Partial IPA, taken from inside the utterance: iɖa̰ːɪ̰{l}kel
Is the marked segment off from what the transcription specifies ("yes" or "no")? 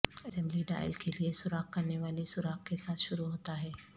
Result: no